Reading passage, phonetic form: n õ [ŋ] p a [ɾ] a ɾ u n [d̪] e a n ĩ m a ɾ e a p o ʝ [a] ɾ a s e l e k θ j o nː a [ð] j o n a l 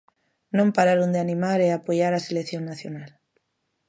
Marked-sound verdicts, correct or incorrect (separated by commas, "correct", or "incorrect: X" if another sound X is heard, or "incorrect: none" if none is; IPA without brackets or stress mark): incorrect: m, correct, correct, correct, incorrect: θ